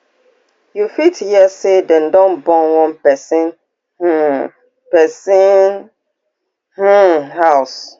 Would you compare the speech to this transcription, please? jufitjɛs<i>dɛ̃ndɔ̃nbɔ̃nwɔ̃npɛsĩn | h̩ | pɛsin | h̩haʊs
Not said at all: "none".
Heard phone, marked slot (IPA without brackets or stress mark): e